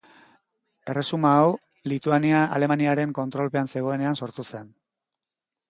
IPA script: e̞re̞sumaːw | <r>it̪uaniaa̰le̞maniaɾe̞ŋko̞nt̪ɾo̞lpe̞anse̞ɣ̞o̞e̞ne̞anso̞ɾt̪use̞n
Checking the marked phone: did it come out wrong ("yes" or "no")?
yes